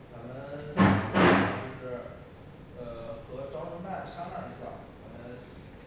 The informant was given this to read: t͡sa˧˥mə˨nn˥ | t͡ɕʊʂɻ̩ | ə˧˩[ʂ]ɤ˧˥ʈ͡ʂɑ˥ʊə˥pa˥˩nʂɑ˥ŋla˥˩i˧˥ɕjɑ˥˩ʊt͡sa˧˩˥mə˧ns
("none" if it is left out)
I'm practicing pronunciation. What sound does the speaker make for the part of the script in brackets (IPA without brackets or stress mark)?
x